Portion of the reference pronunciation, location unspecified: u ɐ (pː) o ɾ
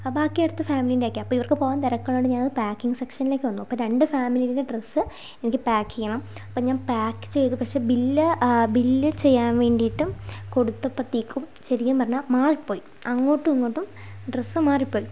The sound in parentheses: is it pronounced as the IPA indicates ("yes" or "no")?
yes